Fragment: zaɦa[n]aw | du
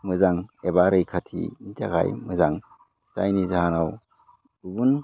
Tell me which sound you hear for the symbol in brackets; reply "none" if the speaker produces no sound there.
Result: n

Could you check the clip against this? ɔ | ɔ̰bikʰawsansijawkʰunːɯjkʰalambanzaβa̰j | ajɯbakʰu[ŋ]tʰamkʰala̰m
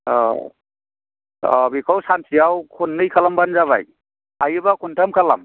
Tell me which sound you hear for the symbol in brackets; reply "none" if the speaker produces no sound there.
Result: n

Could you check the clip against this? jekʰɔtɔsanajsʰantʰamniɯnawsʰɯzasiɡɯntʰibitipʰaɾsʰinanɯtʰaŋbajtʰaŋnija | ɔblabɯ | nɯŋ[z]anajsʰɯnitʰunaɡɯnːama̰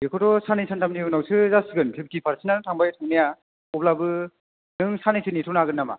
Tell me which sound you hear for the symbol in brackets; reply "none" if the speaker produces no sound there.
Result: s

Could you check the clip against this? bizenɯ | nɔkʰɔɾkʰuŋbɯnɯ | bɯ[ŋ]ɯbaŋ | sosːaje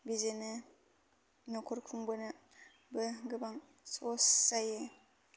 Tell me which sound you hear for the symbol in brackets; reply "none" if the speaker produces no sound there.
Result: ɡ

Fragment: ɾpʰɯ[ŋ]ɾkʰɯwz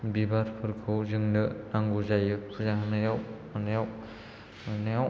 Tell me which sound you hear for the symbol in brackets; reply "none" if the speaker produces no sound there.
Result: none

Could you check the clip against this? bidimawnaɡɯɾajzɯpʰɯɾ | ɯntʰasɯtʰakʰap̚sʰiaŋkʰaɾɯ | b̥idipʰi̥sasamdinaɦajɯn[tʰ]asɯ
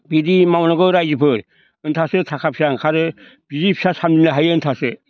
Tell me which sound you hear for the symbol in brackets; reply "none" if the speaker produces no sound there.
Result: tʰ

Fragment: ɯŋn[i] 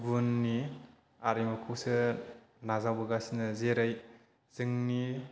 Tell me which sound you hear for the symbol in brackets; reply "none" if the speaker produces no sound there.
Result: i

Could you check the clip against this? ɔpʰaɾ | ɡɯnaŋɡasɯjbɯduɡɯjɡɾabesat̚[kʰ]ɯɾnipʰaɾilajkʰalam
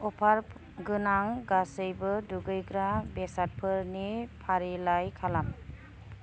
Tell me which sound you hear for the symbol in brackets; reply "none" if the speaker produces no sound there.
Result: pʰ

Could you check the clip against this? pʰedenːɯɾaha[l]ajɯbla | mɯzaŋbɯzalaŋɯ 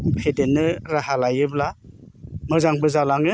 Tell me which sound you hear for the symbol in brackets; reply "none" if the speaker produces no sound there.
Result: l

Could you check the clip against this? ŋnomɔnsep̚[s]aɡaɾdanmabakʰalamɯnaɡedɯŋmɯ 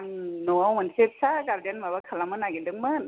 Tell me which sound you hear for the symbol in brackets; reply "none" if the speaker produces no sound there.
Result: s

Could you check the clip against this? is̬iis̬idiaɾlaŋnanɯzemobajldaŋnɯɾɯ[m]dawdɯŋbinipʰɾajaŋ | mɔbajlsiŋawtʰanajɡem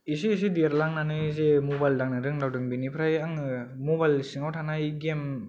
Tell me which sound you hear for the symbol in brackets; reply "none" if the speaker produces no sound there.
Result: ŋ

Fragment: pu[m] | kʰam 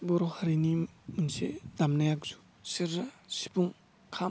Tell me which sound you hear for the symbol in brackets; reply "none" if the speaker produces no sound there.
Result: ŋ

